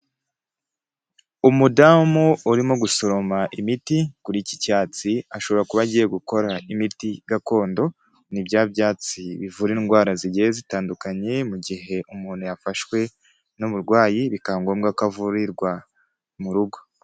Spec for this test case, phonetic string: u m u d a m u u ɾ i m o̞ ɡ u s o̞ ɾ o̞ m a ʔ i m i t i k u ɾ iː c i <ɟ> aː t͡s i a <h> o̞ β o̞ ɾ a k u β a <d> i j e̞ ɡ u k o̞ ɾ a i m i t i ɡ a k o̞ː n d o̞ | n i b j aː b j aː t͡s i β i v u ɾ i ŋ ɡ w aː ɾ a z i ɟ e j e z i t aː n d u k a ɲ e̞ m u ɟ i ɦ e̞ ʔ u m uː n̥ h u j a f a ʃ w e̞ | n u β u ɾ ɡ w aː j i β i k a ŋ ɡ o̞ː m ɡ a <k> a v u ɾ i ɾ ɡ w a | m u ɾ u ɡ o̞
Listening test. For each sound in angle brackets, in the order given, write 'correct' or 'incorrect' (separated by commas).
incorrect, incorrect, incorrect, correct